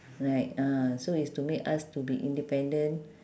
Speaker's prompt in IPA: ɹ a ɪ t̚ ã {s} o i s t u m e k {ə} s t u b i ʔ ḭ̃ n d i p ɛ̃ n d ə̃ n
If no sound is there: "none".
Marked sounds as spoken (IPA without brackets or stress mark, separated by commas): s, a